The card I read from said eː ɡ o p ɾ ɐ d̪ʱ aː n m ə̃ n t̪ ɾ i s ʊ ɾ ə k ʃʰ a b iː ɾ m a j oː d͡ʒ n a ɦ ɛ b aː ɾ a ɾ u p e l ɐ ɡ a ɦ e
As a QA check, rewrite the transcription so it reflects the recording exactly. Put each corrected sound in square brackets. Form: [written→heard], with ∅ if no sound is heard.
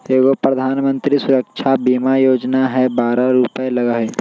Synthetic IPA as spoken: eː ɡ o p ɾ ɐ d̪ʱ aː n m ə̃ n t̪ ɾ i s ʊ ɾ ə k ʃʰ a b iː [ɾ→∅] m a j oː d͡ʒ n a ɦ ɛ b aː ɾ a ɾ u p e l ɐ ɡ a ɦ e